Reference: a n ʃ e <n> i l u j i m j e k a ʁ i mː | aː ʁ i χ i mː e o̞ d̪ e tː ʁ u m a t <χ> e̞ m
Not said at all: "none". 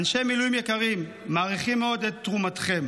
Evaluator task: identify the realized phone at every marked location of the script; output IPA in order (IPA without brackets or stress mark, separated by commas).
m, χ